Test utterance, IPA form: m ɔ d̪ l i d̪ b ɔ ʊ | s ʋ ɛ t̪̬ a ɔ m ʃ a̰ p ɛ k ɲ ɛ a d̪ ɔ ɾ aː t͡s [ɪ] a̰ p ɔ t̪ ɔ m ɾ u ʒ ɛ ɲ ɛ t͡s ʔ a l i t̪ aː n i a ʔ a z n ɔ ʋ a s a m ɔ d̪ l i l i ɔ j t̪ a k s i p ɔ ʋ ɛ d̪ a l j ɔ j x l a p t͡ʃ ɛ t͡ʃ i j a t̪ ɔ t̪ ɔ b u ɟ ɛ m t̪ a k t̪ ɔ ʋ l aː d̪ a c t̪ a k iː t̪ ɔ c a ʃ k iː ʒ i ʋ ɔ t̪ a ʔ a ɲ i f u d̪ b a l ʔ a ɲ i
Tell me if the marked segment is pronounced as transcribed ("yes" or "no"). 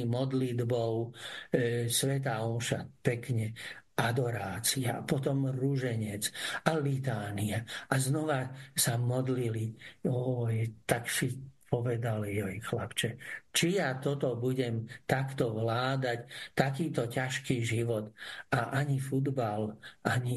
no